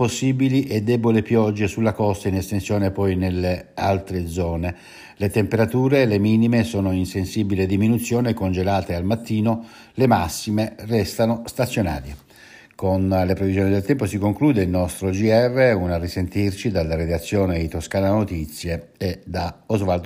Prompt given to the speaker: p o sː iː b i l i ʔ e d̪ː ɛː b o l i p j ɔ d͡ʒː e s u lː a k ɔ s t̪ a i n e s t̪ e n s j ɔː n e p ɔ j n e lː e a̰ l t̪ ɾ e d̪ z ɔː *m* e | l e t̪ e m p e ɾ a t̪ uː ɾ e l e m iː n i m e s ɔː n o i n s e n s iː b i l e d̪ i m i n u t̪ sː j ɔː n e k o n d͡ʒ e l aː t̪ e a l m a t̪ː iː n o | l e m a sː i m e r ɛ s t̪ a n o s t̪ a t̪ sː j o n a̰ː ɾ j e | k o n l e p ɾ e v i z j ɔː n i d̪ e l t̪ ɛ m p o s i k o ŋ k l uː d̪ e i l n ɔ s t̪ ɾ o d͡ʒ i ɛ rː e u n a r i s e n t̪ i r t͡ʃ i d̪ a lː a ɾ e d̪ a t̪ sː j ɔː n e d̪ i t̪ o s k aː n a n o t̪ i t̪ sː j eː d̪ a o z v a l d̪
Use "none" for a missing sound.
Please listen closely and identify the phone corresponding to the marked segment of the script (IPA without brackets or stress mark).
n